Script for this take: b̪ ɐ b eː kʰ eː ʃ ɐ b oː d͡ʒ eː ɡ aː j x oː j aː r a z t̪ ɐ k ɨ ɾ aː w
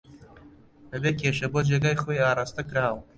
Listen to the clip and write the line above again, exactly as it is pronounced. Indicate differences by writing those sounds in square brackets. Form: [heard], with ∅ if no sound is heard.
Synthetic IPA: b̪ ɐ b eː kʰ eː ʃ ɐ b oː d͡ʒ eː ɡ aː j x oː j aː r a [s] t̪ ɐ k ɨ ɾ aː w